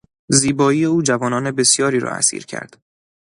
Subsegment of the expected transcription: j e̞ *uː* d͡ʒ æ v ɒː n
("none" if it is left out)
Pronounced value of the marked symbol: uː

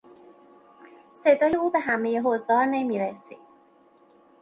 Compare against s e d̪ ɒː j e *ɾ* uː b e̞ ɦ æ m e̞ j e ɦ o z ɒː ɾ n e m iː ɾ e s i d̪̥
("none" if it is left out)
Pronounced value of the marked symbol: none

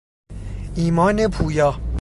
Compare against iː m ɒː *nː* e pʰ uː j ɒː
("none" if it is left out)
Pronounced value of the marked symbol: n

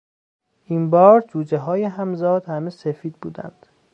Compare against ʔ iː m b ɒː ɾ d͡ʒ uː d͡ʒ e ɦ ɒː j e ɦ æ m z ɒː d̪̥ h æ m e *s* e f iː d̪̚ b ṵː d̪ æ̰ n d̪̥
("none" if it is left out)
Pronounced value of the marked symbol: s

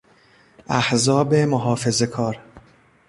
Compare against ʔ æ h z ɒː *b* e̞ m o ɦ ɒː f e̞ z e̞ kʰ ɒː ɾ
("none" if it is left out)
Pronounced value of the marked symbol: b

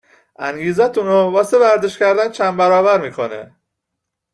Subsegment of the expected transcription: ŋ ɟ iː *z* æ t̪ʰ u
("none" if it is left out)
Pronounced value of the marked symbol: z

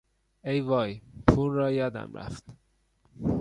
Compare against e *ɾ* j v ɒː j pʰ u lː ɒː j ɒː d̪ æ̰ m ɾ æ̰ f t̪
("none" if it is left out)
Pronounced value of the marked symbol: none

